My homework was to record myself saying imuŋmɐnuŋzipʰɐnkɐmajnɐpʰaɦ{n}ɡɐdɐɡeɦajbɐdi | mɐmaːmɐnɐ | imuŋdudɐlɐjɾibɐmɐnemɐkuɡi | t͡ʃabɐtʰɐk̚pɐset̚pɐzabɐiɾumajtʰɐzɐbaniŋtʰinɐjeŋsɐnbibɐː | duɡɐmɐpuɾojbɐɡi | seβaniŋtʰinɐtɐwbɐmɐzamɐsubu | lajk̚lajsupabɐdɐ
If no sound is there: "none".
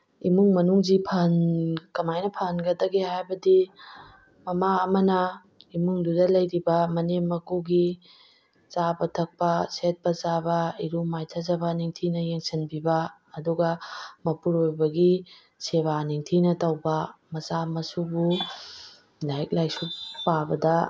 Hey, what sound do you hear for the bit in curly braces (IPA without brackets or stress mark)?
n